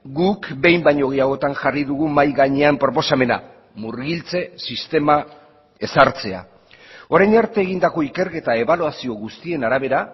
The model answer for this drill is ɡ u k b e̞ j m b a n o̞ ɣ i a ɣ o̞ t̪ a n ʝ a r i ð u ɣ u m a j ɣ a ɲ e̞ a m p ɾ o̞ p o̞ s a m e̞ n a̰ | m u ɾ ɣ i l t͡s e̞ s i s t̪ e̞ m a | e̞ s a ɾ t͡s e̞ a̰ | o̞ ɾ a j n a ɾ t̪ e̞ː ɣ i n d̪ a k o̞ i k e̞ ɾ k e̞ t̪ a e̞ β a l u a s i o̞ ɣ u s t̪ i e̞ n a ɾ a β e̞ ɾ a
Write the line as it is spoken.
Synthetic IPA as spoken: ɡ u k b e̞ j m b a ɲ o̞ ɣ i a ɣ o̞ t̪ a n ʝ a r i ð u ɣ u m a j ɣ a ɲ e̞ a m p ɾ o̞ p o̞ s a m e̞ n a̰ | m u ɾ ɣ i l t͡s e̞ s i s t̪ e̞ m a | e̞ s a ɾ t͡s e̞ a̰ | o̞ ɾ a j n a ɾ t̪ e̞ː ɣ i n d̪ a k o̞ i k e̞ ɾ k e̞ t̪ a e̞ β a l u a s i o̞ ɣ u s t̪ i e̞ n a ɾ a β e̞ ɾ a